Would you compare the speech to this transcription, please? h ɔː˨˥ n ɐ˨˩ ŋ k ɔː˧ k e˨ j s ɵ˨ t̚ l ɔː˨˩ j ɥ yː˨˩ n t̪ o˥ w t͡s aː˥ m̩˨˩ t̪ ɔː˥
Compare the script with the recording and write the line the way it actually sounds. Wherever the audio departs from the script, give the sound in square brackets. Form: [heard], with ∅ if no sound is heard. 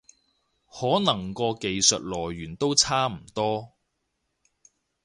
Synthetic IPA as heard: h ɔː˨˥ n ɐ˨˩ ŋ k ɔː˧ k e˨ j s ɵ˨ t̚ l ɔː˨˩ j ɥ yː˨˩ n t̪ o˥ w [t͡sʰ] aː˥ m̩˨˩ t̪ ɔː˥